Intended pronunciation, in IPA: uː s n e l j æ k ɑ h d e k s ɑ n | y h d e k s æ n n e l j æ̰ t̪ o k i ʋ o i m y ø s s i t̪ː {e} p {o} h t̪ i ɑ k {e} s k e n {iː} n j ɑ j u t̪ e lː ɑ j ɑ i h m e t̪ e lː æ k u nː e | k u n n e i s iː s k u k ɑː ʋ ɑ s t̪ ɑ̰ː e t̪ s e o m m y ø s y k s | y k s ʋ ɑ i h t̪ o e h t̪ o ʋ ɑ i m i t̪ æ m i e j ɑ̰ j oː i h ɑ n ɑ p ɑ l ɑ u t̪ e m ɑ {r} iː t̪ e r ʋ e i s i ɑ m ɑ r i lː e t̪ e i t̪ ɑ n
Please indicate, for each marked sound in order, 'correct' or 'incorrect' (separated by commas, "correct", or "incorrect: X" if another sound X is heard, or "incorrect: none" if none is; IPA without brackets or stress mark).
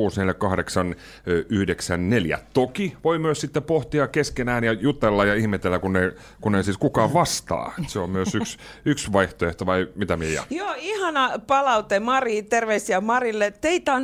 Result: correct, correct, correct, incorrect: æː, correct